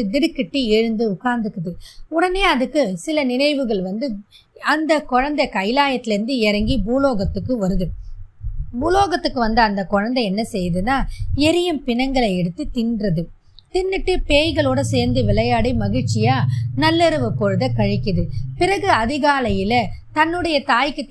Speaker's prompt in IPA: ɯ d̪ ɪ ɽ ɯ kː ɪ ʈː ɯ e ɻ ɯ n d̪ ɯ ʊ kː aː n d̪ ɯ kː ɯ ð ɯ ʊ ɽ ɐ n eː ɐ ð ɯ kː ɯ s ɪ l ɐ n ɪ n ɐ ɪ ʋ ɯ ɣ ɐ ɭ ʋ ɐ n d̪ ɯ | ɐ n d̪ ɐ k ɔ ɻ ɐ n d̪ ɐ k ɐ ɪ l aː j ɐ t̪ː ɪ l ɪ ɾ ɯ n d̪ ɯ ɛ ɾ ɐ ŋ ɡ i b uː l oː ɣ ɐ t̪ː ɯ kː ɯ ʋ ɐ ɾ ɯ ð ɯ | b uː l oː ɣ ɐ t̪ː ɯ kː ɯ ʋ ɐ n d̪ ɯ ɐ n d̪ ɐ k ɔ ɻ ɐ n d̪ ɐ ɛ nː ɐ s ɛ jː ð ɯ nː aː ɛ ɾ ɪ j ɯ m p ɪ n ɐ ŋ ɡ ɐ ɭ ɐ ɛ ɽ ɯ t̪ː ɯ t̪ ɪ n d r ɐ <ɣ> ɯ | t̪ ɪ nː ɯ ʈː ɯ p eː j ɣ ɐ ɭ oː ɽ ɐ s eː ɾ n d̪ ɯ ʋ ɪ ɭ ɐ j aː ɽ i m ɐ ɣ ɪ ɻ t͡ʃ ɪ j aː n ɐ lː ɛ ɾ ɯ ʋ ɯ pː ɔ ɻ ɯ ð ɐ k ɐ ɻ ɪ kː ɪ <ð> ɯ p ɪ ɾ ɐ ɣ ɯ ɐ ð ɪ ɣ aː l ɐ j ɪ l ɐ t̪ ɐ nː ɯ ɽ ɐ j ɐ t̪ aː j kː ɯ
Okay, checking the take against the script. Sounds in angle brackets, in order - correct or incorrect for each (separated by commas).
incorrect, correct